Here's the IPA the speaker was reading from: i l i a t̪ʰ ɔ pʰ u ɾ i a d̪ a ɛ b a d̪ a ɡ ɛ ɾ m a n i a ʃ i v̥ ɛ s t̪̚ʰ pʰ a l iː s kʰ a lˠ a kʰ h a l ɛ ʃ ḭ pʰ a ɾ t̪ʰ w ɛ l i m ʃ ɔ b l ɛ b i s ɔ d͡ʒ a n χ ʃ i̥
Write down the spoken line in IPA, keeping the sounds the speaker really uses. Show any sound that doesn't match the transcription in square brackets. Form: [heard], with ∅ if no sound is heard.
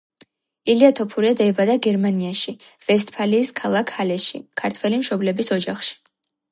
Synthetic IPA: i l i a t̪ʰ ɔ pʰ u ɾ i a d̪ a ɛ b a d̪ a ɡ ɛ ɾ m a n i a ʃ i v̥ ɛ s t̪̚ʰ pʰ a l iː s kʰ a lˠ a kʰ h a l ɛ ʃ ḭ [kʰ] a ɾ t̪ʰ w ɛ l i m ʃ ɔ b l ɛ b i s ɔ d͡ʒ a [∅] χ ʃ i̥